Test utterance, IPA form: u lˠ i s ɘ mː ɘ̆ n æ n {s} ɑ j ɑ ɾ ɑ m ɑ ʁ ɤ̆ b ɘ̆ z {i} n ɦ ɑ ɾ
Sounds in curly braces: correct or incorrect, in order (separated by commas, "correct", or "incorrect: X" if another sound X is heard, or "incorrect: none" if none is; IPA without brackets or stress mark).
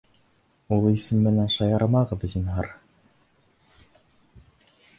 incorrect: ʃ, correct